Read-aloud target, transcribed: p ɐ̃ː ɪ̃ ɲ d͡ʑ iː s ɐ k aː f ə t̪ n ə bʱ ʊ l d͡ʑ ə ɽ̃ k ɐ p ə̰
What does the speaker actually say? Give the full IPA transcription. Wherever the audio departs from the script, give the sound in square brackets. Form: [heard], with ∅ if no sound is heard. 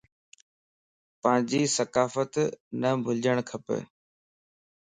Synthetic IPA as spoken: p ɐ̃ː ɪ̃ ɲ d͡ʑ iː s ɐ k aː f ə t̪ n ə bʱ ʊ l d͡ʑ ə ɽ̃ [kʰ] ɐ p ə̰